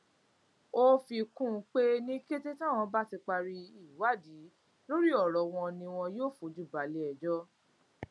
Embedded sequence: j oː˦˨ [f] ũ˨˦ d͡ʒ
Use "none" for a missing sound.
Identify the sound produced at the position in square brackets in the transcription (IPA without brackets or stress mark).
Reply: f